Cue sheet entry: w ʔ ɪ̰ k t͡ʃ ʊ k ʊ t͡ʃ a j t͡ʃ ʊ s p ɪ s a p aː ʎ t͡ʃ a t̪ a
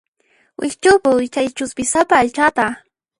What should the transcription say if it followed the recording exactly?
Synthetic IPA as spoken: w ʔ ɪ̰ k t͡ʃ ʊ p ʊ t͡ʃ a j t͡ʃ ʊ s p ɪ s a p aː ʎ t͡ʃ a t̪ a